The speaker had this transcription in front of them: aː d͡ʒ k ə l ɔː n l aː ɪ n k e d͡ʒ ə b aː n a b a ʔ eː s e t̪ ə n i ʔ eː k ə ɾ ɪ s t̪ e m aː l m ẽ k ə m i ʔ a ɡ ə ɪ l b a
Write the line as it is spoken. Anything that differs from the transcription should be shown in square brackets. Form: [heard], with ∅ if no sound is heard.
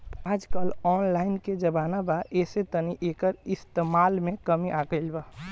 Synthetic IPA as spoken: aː d͡ʒ k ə l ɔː n l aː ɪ n k e d͡ʒ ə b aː n a b a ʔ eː s e t̪ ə n i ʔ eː k ə ɾ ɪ s t̪ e m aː l m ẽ k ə m i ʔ a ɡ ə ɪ l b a